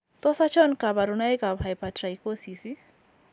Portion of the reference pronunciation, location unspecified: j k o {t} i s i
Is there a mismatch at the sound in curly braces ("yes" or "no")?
yes